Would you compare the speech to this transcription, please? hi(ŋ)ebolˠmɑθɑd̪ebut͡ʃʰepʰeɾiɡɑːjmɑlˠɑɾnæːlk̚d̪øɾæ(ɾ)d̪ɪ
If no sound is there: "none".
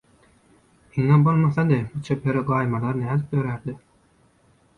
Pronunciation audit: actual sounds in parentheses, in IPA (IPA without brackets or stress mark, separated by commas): ŋ, ɾ